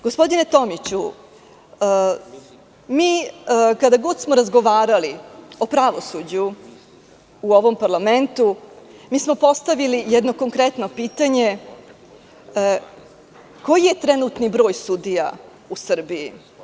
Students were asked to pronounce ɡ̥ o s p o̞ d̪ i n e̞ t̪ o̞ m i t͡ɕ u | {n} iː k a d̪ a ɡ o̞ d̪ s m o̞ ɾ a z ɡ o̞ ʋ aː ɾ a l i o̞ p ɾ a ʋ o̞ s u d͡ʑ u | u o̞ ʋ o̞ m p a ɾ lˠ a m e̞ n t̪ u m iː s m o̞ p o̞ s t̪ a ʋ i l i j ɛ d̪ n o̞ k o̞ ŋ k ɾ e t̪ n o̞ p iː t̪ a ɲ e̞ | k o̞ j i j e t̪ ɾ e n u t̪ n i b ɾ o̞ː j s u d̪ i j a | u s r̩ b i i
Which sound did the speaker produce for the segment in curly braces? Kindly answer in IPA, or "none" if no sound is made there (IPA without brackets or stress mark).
m